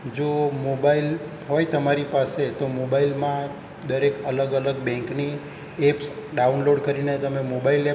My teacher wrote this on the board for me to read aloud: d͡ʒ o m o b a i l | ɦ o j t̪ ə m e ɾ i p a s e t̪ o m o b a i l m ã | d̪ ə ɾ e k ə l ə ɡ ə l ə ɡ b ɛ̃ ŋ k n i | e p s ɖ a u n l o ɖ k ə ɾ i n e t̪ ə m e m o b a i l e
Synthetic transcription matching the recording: d͡ʒ o m o b a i l | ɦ o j t̪ ə m a ɾ i p a s e t̪ o m o b a i l m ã | d̪ ə ɾ e k ə l ə ɡ ə l ə ɡ b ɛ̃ ŋ k n i | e p s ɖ a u n l o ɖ k ə ɾ i n e t̪ ə m e m o b a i l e